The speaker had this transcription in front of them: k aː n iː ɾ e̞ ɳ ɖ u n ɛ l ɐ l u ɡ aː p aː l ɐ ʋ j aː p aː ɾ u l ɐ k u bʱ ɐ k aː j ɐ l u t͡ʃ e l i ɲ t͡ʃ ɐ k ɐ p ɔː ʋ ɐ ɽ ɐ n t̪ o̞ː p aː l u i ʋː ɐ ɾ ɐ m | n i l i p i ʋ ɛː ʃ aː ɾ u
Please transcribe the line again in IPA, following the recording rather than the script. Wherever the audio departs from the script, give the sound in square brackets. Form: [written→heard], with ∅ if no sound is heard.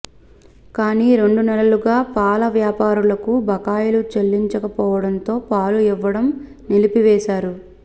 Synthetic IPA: k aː n iː ɾ e̞ ɳ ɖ u n ɛ l ɐ l u ɡ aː p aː l ɐ ʋ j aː p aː ɾ u l ɐ k u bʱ ɐ k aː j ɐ l u t͡ʃ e [l→lː] i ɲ t͡ʃ ɐ k ɐ p ɔː ʋ ɐ ɽ ɐ n t̪ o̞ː p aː l u i ʋː ɐ [ɾ→ɽ] ɐ m | n i l i p i ʋ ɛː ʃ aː ɾ u

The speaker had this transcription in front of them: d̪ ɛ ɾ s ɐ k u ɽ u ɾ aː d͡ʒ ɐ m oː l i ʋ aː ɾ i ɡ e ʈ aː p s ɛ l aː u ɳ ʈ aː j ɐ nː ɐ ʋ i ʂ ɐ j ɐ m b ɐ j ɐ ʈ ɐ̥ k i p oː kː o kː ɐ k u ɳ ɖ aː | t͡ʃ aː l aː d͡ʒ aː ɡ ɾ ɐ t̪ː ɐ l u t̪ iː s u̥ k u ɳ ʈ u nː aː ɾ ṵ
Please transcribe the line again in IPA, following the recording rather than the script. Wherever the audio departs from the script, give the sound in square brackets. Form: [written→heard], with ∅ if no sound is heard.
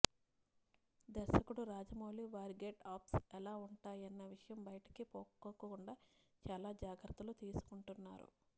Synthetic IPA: d̪ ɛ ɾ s ɐ k u ɽ u ɾ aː d͡ʒ ɐ m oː l i ʋ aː ɾ i ɡ e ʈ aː p s ɛ l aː u ɳ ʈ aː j ɐ nː ɐ ʋ i ʂ ɐ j ɐ m b ɐ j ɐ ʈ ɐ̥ k i p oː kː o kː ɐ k u ɳ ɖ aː | t͡ʃ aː l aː d͡ʒ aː ɡ ɾ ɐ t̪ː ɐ l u t̪ iː s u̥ k u ɳ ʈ u nː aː ɾ ṵ

